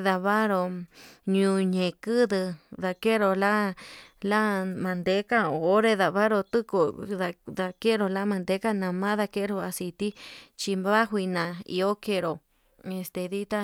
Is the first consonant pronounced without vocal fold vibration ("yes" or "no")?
no